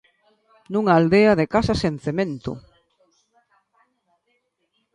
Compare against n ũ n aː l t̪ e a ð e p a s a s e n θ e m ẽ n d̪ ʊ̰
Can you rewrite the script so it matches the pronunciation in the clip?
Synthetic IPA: n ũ ŋ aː l d̪ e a ð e k a s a s e n θ e m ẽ n t̪ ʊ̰